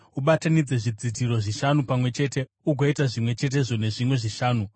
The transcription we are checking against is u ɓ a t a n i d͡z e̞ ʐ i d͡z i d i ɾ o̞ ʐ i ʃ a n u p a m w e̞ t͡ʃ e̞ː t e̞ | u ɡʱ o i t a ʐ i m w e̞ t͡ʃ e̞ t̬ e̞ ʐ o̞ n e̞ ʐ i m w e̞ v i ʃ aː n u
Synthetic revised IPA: u ɓ a t a n i d͡z e̞ ʐ i d͡z i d i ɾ o̞ ʐ i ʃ a n u p a m w e̞ t͡ʃ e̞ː t e̞ | u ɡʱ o i t a ʐ i m w e̞ t͡ʃ e̞ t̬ e̞ ʐ o̞ n e̞ ʐ i m w e̞ ʐ i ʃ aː n u

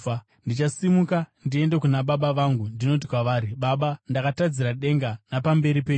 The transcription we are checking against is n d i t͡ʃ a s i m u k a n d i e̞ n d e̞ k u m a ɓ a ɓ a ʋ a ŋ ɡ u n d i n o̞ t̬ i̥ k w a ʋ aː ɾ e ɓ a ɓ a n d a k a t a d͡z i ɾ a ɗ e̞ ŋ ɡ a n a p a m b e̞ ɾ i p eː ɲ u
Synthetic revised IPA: n d i t͡ʃ a s i m u k a n d i e̞ n d e̞ k u n a ɓ a ɓ a ʋ a ŋ ɡ u n d i n o̞ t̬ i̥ k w a ʋ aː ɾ i ɓ a ɓ a n d a k a t a d͡z i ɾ a ɗ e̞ ŋ ɡ a n a p a m b e̞ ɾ i p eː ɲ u

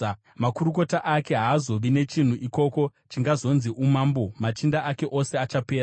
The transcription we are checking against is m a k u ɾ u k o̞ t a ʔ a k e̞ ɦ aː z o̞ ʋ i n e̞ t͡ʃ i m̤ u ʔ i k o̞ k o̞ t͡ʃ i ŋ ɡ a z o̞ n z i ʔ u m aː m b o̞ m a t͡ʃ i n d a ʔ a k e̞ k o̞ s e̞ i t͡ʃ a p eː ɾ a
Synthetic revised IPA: m a k u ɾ u k o̞ t a ʔ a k e̞ ɦ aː z o̞ ʋ i n e̞ t͡ʃ i n̤ u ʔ i k o̞ k o̞ t͡ʃ i ŋ ɡ a z o̞ n z i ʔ u m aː m b o̞ m a t͡ʃ i n d a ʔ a k e̞ ʔ o̞ s e̞ a t͡ʃ a p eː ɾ a

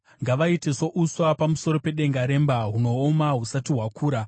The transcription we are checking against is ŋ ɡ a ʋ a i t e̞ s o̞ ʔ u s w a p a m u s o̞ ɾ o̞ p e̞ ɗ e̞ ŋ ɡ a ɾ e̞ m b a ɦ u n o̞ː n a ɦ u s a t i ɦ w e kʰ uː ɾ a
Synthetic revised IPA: ŋ ɡ a ʋ a i t e̞ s o̞ ʔ u s w a p a m u s o̞ ɾ o̞ p e̞ ɗ e̞ ŋ ɡ a ɾ e̞ m b a ɦ u n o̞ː m a ɦ u s a t i ɦ w a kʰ uː ɾ a

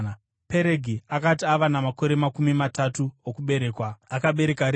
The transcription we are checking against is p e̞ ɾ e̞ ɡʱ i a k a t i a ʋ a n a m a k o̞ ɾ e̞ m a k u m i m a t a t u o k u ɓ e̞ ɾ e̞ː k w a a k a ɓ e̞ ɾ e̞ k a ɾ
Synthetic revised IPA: p e̞ ɾ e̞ ɡʱ i a k a t i a ʋ a n a m a k o̞ ɾ e̞ m a k u m i m a t a t u o k u ɓ e̞ ɾ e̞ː k w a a k a ɓ e̞ ɾ e̞ k a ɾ

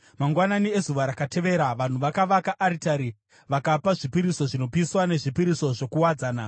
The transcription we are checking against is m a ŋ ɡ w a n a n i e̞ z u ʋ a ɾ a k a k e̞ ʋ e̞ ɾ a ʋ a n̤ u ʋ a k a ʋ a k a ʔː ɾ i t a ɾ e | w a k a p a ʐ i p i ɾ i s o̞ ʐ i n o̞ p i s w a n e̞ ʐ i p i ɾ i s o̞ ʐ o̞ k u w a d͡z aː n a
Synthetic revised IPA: m a ŋ ɡ w a n a n i e̞ z u ʋ a ɾ a k a t e̞ ʋ e̞ ɾ a ʋ a n̤ u ʋ a k a ʋ a k a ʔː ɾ i t a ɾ i | ʋ a k a p a ʐ i p i ɾ i s o̞ ʐ i n o̞ p i s w a n e̞ ʐ i p i ɾ i s o̞ ʐ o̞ k u w a d͡z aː n a

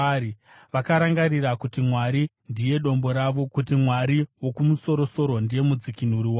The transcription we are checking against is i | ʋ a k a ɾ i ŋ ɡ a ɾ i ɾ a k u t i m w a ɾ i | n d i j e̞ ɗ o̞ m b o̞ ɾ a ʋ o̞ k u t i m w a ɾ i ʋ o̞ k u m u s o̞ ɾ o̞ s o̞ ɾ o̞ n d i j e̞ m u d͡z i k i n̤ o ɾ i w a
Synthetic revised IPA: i | ʋ a k a ɾ a ŋ ɡ a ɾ i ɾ a k u t i m w a ɾ i | n d i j e̞ ɗ o̞ m b o̞ ɾ a ʋ o̞ k u t i m w a ɾ i w o̞ k u m u s o̞ ɾ o̞ s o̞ ɾ o̞ n d i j e̞ m u d͡z i k i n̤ u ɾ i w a

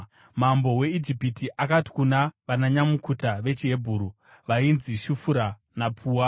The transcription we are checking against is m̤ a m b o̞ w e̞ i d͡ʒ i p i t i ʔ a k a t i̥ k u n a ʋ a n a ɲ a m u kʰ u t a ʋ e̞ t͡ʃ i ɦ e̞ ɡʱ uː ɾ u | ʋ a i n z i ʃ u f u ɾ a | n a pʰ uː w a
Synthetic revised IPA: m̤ a m b o̞ w e̞ i d͡ʒ i p i t i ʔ a k a t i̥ k u n a ʋ a n a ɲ a m u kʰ u t a ʋ e̞ t͡ʃ i ɦ e̞ bʱ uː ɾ u | ʋ a i n z i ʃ u f u ɾ a | n a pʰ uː w a

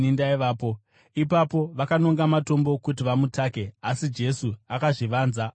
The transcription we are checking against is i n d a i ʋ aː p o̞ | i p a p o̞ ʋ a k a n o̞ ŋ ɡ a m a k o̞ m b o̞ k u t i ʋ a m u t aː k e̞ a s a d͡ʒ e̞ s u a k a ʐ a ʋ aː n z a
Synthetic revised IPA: i n d a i ʋ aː p o̞ | i p a p o̞ ʋ a k a n o̞ ŋ ɡ a m a t o̞ m b o̞ k u t i ʋ a m u t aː k e̞ a s i d͡ʒ e̞ s u a k a ʐ i ʋ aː n z a

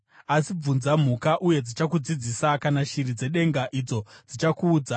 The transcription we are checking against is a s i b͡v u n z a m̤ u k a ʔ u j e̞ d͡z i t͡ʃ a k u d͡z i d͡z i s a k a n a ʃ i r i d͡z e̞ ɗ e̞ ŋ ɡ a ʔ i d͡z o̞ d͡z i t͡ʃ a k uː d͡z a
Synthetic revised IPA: a s i b͡v u n z a m̤ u k a ʔ u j e̞ d͡z i t͡ʃ a k u d͡z i d͡z i s a k a n a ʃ i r i d͡z e̞ ɗ e̞ ŋ ɡ a ʔ i d͡z o̞ d͡z i t͡ʃ a k uː d͡z a

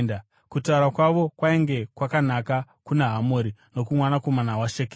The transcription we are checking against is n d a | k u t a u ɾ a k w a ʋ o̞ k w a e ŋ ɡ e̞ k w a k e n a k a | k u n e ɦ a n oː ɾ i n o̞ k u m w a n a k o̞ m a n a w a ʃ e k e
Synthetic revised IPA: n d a | k u t a u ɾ a k w a ʋ o̞ k w a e ŋ ɡ e̞ k w a k a n a k a | k u n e ɦ a m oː ɾ i n o̞ k u m w a n a k o̞ m a n a w a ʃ e k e

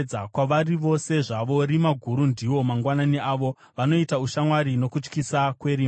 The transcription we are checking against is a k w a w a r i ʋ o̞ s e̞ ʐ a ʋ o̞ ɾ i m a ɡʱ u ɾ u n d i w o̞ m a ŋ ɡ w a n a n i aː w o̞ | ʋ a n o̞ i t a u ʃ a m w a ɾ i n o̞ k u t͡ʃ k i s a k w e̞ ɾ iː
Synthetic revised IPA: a k w a ʋ a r i ʋ o̞ s e̞ ʐ a ʋ o̞ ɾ i m a ɡʱ u ɾ u n d i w o̞ m a ŋ ɡ w a n a n i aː ʋ o̞ | ʋ a n o̞ i t a u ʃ a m w a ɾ i n o̞ k u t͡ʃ k i s a k w e̞ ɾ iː

